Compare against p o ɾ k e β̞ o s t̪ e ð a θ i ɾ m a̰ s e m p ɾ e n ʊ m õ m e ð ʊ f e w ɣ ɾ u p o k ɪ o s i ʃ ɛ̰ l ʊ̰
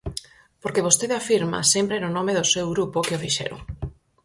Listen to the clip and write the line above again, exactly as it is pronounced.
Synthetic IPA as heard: p o ɾ k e β̞ o s t̪ e ð a f i ɾ m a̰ s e m p ɾ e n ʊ n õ m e ð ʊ s e w ɣ ɾ u p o k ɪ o f i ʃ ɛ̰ ɾ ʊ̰